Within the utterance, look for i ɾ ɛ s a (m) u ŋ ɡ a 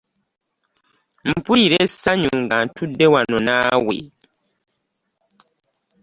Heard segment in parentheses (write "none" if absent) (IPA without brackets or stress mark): ɲ